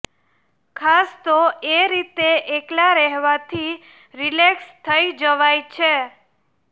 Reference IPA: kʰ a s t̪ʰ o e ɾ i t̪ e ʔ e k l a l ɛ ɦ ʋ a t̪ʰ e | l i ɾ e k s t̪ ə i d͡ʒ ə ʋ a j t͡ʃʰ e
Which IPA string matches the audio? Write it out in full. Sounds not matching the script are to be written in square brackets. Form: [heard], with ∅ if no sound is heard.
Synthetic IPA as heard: kʰ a s [t̪] o e ɾ i t̪ e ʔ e k l a [ɾ] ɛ ɦ ʋ a t̪ʰ [i] | [ɾ] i [l] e k s [t̪ʰ] ə i d͡ʒ ə ʋ a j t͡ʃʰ e